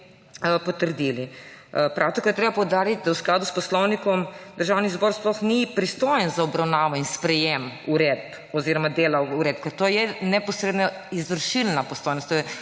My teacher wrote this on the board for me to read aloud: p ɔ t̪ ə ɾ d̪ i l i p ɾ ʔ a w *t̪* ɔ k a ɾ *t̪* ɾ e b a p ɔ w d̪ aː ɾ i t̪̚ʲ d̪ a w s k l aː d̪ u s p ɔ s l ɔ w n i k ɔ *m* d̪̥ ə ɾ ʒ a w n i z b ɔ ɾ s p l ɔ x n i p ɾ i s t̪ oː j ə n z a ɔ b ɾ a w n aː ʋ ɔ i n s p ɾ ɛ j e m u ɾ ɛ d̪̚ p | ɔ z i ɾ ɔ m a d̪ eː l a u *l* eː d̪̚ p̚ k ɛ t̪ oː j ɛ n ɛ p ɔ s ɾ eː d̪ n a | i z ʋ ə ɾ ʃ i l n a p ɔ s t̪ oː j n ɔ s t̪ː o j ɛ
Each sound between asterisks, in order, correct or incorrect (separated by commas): correct, correct, correct, incorrect